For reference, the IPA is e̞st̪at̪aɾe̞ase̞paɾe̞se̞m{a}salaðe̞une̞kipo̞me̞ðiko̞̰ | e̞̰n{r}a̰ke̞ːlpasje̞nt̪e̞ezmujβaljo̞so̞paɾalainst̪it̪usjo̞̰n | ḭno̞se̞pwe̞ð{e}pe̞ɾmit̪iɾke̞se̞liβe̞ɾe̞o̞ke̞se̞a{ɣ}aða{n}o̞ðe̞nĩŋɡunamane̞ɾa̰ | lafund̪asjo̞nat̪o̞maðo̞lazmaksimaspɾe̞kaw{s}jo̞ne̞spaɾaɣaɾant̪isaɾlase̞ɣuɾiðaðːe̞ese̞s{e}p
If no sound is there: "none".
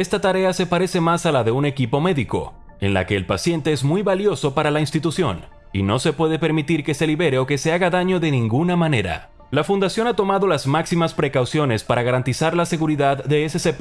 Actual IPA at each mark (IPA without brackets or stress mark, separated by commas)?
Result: a, l, e, ɣ, ɲ, s, e